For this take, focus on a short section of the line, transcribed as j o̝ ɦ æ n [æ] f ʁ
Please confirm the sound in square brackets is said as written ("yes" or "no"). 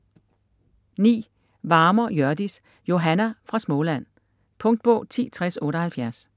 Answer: yes